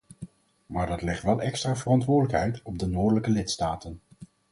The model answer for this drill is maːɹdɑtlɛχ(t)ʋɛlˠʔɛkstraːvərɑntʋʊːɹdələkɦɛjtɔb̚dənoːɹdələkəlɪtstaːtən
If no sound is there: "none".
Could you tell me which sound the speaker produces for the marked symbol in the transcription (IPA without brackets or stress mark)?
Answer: t